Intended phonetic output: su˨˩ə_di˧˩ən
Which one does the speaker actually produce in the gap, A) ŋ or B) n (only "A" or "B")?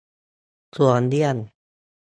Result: B